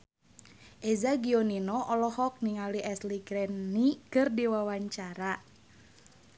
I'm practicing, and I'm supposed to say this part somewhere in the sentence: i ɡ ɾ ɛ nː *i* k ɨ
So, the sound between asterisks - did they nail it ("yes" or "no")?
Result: yes